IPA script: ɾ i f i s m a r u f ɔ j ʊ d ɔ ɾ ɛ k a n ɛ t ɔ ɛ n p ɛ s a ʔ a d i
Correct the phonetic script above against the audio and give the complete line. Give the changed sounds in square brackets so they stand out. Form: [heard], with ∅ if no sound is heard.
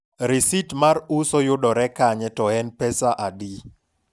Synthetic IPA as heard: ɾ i [s] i [t] m a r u [s] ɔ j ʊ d ɔ ɾ ɛ k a [ɲ] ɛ t ɔ ɛ n p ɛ s a ʔ a d i